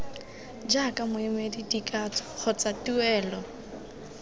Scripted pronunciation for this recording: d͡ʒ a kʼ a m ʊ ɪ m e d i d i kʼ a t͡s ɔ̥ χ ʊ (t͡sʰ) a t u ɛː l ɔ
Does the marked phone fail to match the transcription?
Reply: yes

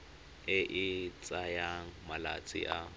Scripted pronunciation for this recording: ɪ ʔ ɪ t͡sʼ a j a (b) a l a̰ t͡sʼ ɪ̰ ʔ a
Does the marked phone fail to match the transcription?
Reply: yes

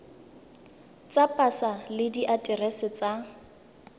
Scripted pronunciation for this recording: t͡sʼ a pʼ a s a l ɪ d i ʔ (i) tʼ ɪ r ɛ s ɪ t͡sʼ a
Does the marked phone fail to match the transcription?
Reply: yes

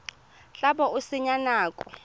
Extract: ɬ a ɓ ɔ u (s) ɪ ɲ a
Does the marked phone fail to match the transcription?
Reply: no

